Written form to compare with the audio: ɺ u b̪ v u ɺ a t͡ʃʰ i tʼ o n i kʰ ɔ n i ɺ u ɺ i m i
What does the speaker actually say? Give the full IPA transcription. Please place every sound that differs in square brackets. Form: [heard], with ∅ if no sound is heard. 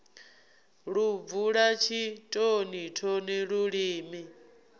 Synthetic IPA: ɺ u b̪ v u ɺ a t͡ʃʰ i tʼ o n i [tʰ] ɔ n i ɺ u ɺ [iː] m i